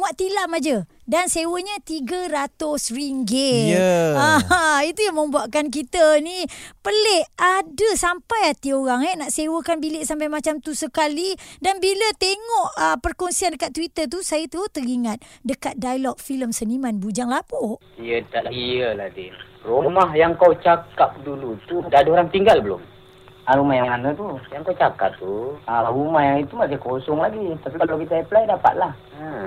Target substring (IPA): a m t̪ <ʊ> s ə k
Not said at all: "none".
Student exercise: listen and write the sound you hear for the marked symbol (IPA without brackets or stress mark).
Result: u